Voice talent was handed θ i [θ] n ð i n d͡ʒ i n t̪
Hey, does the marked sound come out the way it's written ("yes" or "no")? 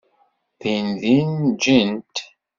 no